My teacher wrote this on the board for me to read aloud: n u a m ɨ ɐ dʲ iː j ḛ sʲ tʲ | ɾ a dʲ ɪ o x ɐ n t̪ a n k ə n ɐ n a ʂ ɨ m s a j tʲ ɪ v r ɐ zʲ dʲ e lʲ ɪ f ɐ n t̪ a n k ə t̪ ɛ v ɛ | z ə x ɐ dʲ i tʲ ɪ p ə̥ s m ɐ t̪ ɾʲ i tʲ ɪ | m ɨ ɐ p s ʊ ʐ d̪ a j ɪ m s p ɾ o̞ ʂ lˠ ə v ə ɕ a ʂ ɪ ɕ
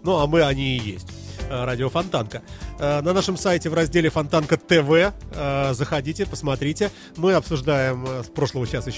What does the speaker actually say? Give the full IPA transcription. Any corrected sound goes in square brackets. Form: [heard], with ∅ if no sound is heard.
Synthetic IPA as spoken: n u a m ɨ ɐ [nʲ] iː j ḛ sʲ tʲ | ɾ a dʲ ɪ o [f] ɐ n t̪ a n k ə n ɐ n a ʂ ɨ m s a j tʲ ɪ v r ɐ zʲ dʲ e lʲ ɪ f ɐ n t̪ a n k ə t̪ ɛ v ɛ | z ə x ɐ dʲ i tʲ ɪ p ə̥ s m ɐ t̪ ɾʲ i tʲ ɪ | m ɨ ɐ p s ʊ ʐ d̪ a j ɪ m s p ɾ o̞ ʂ lˠ ə v ə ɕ a [s] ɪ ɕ